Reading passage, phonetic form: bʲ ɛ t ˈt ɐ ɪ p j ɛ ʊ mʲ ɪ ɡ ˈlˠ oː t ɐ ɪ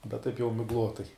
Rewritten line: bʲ ɛ t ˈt ɐ ɪ p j ɛ ʊ mʲ ɪ ɡ ˈlˠ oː t ɐ ɪ